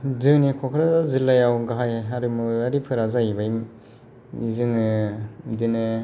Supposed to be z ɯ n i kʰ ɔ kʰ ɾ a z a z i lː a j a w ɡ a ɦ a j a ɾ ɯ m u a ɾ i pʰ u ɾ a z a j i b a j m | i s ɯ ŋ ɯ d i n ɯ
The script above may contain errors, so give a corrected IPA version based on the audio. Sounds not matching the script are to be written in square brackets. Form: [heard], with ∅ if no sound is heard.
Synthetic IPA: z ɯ n i kʰ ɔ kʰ ɾ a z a z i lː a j a w ɡ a ɦ a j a ɾ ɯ m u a ɾ i pʰ [ɯ] ɾ a z a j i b a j m | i [z] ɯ ŋ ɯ d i n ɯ